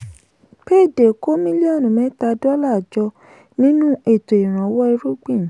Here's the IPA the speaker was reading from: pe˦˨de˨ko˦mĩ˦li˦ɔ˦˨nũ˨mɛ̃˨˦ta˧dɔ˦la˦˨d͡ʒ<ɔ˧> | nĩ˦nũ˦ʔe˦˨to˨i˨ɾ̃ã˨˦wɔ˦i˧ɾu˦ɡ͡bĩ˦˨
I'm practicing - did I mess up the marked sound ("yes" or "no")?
no